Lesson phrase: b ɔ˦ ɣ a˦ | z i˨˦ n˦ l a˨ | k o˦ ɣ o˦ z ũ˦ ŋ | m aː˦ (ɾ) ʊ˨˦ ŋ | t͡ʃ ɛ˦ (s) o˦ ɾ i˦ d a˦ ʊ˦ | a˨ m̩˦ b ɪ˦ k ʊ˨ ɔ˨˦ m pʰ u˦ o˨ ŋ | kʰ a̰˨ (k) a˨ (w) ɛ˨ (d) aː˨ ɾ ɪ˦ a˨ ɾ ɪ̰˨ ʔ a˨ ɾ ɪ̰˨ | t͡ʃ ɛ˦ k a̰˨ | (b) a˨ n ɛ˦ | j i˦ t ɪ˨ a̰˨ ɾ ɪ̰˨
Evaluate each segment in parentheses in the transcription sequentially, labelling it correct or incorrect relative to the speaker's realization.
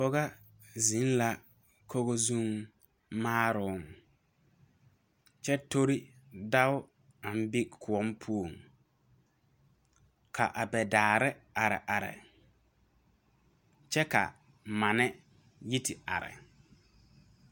correct, incorrect: t, incorrect: ʔ, incorrect: b, correct, incorrect: m

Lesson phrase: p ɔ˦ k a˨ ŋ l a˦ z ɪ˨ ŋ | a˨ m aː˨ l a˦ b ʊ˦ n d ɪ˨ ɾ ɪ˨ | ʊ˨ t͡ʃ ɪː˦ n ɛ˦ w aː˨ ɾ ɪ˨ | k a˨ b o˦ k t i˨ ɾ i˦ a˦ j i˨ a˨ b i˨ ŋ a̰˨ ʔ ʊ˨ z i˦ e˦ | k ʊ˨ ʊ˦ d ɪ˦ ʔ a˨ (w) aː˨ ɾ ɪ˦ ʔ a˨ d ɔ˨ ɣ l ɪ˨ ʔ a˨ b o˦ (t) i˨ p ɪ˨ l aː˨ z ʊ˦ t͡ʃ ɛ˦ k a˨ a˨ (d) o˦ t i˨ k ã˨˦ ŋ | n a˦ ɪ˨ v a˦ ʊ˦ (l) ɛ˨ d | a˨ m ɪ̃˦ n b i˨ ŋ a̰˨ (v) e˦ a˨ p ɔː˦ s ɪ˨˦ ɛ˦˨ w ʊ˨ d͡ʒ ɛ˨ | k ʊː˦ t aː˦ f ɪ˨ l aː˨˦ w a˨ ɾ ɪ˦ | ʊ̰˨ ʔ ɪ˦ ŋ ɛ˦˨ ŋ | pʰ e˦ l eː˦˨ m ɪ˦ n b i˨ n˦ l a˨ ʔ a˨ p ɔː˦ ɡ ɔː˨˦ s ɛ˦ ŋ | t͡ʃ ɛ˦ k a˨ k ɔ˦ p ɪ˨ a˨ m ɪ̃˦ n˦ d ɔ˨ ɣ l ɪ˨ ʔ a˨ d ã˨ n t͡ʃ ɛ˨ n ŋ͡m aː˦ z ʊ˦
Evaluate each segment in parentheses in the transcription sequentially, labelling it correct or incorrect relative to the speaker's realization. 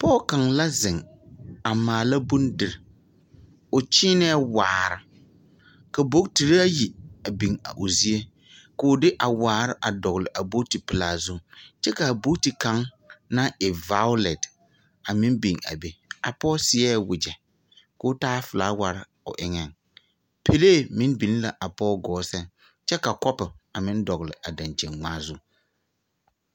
correct, correct, incorrect: b, correct, incorrect: b

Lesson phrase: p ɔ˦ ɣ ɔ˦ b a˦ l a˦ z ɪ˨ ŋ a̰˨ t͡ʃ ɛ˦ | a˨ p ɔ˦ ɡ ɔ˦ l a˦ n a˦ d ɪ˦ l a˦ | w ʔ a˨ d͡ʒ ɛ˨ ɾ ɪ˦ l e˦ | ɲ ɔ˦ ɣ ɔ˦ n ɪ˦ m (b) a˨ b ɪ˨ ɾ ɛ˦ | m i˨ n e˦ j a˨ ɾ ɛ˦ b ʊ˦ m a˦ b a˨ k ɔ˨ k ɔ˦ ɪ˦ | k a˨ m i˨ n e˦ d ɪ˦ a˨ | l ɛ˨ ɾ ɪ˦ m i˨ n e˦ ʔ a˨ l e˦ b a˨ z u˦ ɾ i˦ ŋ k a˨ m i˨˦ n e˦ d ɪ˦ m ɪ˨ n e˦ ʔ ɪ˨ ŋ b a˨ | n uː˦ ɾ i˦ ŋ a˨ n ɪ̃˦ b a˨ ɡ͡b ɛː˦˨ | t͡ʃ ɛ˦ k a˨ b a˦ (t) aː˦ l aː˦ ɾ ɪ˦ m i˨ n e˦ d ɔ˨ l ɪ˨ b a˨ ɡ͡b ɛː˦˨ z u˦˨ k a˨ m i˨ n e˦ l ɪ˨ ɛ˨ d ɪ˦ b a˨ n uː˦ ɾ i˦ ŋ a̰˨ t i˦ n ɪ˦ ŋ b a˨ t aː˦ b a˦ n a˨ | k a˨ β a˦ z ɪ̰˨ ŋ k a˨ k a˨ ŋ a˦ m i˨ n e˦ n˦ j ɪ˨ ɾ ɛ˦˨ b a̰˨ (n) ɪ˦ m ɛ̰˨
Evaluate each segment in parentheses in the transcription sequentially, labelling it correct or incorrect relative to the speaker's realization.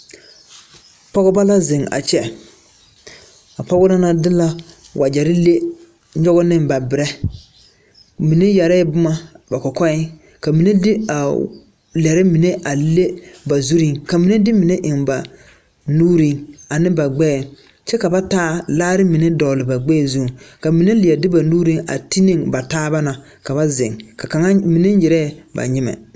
correct, correct, incorrect: ɲ

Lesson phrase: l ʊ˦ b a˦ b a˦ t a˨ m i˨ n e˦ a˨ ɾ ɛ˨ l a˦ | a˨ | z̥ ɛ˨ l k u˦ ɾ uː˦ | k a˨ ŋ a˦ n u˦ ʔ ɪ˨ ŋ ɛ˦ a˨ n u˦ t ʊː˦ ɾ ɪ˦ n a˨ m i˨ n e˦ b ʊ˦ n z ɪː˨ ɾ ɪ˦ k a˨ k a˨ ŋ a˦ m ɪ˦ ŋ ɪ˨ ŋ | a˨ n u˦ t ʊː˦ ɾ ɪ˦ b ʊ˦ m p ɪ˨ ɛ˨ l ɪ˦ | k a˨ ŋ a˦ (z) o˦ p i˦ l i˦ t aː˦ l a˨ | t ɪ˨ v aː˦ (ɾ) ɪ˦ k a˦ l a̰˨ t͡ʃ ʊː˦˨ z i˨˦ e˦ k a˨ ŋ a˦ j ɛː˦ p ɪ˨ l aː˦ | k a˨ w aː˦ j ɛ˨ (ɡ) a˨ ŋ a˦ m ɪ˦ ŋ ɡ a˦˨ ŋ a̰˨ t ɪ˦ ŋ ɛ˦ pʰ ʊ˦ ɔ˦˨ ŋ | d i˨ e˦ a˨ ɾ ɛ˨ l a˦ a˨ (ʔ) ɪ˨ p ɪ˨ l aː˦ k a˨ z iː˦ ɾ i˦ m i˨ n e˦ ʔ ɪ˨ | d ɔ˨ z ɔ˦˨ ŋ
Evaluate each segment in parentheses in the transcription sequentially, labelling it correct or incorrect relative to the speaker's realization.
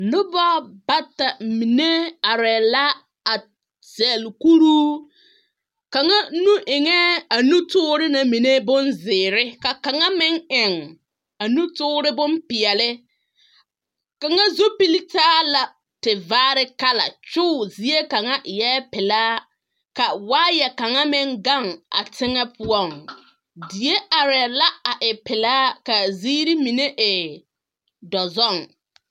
correct, correct, incorrect: k, correct

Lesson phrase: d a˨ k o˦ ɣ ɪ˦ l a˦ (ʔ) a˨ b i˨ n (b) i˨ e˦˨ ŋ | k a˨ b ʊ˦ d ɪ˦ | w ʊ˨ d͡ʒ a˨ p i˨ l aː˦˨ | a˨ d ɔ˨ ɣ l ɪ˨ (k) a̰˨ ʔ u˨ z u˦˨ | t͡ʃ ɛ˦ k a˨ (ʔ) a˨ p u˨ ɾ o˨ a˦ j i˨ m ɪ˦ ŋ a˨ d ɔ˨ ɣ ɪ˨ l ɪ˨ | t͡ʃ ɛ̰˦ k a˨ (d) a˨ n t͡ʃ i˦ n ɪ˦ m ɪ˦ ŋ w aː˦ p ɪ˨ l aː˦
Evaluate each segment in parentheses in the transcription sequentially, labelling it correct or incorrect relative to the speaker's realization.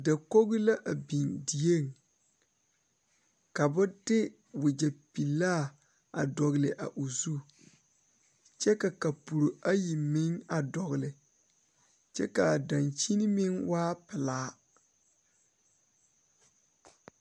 correct, incorrect: d, incorrect: ʔ, incorrect: k, correct

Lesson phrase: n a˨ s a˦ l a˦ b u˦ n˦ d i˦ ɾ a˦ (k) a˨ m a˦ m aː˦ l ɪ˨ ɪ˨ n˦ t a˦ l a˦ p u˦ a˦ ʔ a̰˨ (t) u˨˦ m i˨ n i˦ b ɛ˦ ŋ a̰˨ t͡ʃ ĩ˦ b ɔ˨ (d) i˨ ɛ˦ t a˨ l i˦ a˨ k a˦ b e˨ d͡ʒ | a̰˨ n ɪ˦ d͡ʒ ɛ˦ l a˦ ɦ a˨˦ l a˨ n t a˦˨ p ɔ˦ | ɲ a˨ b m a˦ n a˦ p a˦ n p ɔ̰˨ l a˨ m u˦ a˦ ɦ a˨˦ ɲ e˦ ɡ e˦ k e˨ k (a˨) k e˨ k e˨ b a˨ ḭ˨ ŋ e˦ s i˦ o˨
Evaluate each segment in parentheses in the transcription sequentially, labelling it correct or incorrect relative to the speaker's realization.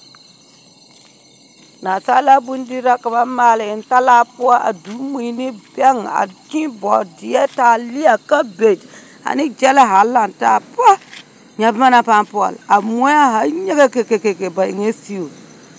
correct, incorrect: d, correct, incorrect: e˨

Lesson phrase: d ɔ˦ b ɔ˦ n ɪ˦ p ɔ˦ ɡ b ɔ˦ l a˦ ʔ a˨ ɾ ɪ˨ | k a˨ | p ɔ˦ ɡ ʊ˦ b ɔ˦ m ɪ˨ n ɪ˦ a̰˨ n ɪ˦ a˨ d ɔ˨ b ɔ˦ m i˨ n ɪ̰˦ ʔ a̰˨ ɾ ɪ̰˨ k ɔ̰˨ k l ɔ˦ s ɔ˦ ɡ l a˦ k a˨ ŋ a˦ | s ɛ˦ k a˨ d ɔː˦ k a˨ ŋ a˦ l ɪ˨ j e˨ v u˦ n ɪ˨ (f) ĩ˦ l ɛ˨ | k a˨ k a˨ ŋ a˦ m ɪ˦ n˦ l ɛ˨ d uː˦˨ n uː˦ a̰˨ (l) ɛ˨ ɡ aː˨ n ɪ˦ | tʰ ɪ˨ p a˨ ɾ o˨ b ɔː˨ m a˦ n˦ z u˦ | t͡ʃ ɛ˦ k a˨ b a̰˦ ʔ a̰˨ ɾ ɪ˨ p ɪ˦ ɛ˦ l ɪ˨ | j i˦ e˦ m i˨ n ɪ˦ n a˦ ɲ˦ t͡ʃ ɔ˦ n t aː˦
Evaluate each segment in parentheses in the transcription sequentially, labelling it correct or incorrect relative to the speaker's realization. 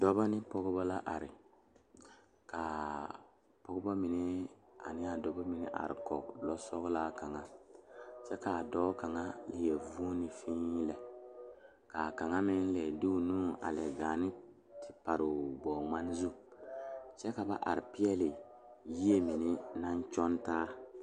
correct, correct

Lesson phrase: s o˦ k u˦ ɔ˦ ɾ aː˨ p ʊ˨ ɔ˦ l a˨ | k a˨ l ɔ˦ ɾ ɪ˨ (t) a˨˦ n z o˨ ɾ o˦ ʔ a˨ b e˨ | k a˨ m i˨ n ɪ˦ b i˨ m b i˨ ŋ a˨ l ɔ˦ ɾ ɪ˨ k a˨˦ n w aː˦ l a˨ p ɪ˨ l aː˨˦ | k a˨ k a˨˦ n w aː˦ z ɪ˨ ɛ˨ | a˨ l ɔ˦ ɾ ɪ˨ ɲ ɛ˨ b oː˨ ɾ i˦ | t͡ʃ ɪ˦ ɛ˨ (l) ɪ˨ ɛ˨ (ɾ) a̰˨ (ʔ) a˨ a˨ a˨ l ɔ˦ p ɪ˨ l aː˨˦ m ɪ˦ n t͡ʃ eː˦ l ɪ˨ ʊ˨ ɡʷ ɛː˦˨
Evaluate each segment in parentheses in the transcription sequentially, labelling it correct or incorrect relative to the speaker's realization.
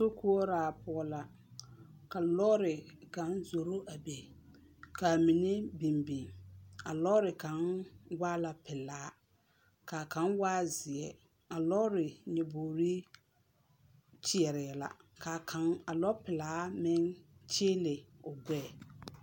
incorrect: k, incorrect: ɾ, incorrect: l, incorrect: k

